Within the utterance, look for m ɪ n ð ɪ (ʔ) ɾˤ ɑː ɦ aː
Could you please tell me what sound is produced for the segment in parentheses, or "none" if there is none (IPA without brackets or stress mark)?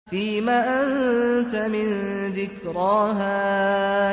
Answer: k